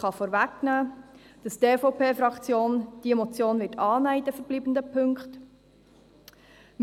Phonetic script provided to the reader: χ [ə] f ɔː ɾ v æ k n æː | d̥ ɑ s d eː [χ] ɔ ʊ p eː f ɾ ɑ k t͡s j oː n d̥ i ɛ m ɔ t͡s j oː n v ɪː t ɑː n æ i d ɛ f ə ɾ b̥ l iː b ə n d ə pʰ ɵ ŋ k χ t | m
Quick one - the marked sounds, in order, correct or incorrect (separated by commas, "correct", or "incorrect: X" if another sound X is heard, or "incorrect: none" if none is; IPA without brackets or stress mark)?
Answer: incorrect: ɑ, incorrect: f